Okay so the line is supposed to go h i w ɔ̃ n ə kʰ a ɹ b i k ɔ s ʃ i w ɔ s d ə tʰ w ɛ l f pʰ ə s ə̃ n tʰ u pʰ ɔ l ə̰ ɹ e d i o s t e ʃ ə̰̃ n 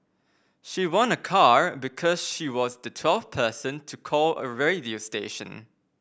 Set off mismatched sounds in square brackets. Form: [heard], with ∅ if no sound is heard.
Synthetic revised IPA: [ʃ] i w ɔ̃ n ə kʰ a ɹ b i [kʰ] ɔ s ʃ i w ɔ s d ə tʰ w ɛ l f pʰ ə s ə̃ n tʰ u [kʰ] ɔ l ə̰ ɹ e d i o s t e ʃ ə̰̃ n